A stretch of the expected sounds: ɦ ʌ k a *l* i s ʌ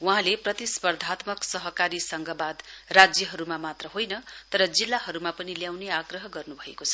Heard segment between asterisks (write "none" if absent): ɾ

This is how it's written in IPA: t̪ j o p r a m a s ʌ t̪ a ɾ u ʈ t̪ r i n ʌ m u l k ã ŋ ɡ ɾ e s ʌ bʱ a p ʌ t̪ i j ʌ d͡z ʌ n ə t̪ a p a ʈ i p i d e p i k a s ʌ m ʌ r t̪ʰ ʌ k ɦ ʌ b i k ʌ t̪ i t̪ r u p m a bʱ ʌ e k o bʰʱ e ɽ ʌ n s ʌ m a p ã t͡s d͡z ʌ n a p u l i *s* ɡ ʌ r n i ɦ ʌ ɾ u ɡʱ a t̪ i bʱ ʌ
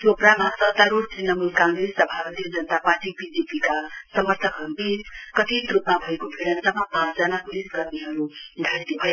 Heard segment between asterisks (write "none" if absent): s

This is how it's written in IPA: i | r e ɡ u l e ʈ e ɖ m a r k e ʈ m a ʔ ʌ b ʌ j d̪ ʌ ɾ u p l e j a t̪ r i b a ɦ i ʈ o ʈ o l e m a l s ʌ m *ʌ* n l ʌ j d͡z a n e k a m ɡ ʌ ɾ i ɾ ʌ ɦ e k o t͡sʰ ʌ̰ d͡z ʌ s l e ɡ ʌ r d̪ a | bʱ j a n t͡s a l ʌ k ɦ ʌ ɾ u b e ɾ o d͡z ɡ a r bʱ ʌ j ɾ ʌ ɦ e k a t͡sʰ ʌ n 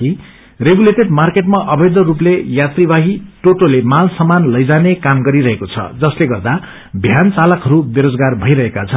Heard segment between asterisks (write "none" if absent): a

